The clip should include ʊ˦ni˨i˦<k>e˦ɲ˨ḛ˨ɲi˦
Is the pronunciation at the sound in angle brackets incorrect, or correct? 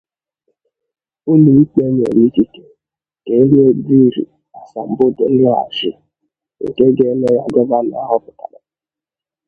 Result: incorrect